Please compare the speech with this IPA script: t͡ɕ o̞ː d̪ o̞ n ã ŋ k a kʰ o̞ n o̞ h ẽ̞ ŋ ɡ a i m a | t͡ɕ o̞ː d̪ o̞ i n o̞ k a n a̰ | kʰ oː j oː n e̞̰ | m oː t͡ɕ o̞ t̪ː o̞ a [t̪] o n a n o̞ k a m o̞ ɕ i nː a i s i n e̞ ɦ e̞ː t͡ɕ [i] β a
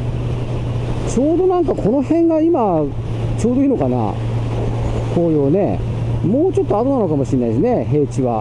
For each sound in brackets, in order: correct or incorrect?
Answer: correct, correct

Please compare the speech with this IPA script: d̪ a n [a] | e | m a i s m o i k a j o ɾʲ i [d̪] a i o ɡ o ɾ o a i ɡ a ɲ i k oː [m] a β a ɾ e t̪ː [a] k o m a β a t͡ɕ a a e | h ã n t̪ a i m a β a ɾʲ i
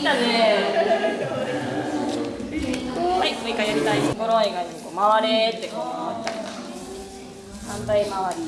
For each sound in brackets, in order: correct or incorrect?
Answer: incorrect, incorrect, correct, incorrect

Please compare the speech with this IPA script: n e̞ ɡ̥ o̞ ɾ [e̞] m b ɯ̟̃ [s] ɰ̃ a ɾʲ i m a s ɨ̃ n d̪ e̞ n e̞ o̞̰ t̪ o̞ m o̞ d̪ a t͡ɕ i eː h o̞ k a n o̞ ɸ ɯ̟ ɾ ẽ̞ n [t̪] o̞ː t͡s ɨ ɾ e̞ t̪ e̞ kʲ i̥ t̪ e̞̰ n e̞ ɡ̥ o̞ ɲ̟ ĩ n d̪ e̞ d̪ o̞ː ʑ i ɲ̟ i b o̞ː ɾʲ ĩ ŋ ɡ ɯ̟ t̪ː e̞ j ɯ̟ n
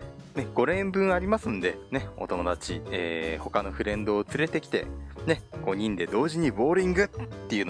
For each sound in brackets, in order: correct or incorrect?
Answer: incorrect, incorrect, incorrect

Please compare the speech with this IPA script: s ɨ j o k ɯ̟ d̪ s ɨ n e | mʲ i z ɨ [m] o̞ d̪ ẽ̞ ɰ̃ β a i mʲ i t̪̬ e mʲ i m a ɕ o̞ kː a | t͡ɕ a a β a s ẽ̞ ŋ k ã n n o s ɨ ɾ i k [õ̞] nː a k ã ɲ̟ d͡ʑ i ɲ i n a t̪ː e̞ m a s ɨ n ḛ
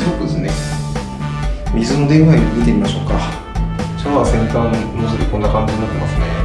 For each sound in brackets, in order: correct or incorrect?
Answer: incorrect, incorrect

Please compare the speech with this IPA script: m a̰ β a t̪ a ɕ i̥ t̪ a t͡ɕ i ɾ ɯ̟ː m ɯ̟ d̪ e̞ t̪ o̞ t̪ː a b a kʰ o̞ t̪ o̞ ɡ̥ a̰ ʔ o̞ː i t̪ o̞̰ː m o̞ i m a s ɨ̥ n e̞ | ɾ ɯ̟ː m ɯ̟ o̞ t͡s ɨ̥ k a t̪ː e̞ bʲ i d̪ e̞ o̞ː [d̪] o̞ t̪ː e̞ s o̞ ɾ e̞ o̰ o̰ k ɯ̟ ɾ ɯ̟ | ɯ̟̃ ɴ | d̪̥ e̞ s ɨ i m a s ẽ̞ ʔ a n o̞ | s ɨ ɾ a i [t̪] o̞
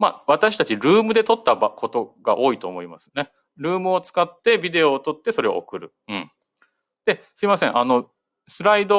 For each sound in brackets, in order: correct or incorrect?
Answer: incorrect, incorrect

